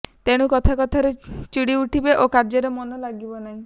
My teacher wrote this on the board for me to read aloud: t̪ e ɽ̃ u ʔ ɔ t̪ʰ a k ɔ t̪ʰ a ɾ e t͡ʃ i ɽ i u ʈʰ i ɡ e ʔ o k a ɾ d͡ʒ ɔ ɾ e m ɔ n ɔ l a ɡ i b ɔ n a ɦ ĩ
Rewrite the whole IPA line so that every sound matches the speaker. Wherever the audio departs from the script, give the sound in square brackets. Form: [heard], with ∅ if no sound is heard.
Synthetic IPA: t̪ e ɽ̃ u [k] ɔ t̪ʰ a k ɔ t̪ʰ a ɾ e t͡ʃ i ɽ i u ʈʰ i [b] e ʔ o k a ɾ d͡ʒ ɔ ɾ e m ɔ n ɔ l a ɡ i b ɔ n a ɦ ĩ